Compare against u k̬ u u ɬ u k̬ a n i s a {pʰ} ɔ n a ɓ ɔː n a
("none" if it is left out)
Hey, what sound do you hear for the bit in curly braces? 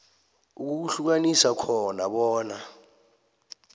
kʰ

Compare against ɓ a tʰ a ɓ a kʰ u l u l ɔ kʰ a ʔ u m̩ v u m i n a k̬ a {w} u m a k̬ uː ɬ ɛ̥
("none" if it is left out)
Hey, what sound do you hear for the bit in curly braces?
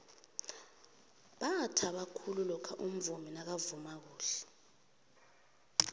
v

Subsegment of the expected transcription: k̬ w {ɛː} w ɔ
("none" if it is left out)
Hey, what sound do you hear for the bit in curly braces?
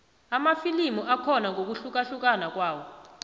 aː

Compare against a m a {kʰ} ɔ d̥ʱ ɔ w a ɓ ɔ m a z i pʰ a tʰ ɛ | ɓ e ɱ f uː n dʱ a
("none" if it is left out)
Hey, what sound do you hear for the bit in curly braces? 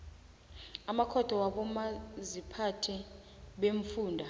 kʰ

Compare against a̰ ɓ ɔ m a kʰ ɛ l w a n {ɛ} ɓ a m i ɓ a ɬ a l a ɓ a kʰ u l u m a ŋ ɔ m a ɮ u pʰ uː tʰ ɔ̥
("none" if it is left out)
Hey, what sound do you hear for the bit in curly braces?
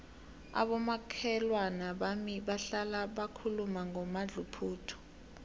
a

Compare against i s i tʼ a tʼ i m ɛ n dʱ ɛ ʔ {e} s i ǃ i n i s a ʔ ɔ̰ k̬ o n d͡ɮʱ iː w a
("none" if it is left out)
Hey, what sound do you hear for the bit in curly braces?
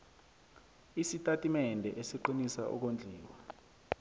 e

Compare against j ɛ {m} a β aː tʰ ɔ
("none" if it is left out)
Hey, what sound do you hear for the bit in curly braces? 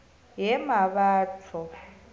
m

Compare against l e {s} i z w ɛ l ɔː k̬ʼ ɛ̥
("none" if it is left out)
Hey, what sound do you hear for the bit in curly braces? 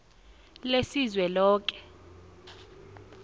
s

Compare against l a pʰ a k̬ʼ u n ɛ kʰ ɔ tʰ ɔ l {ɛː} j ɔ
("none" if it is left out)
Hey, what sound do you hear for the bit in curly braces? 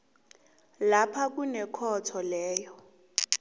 ɛː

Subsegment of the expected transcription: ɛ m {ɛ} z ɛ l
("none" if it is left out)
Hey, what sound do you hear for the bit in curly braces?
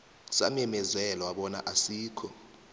ɛ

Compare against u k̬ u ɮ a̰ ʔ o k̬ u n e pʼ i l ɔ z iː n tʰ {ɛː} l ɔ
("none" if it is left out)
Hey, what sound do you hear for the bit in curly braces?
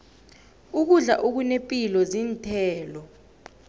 ɛː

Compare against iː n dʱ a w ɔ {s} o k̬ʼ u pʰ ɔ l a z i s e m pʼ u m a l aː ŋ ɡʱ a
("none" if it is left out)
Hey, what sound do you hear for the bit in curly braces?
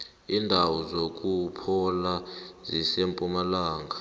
z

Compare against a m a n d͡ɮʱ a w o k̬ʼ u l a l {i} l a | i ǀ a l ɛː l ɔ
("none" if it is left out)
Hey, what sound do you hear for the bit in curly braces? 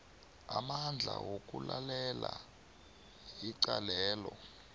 ɛ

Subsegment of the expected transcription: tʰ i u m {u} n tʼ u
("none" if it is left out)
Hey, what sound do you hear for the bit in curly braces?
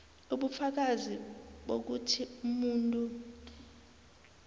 uː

